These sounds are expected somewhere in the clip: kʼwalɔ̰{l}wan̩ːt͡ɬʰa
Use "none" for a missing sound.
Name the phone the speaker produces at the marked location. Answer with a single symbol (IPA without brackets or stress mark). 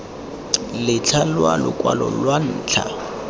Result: l